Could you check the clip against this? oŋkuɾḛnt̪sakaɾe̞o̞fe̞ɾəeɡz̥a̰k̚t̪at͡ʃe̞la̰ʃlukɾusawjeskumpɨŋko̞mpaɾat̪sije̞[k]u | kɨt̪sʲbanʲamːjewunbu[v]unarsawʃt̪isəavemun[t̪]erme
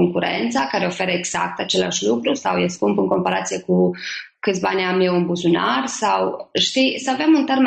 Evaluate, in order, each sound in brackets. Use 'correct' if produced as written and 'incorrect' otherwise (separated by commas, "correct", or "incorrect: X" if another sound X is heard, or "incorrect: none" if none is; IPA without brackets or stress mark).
correct, incorrect: z, correct